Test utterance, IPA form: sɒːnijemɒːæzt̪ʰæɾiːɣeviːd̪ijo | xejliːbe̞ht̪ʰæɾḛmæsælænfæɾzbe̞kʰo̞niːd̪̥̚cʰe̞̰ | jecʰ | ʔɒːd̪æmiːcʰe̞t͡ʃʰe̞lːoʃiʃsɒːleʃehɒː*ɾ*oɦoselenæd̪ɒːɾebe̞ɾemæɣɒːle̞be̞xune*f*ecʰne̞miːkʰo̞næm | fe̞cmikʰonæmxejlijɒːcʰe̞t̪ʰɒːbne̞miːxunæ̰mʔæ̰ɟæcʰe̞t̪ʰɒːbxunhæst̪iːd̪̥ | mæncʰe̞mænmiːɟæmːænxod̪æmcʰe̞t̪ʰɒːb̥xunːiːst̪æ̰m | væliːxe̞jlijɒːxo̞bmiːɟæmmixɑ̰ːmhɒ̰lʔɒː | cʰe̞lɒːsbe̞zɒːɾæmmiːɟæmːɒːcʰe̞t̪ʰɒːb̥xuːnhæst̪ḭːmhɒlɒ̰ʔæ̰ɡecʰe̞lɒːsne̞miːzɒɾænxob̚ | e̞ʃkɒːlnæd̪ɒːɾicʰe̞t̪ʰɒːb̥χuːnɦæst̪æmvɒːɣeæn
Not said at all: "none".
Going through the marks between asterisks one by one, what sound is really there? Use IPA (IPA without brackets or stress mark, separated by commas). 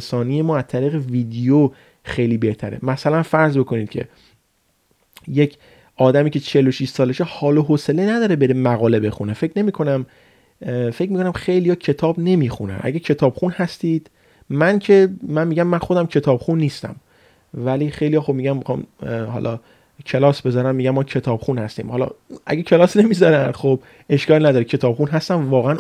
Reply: l, f